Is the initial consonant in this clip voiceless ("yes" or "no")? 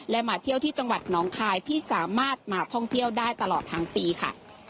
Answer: no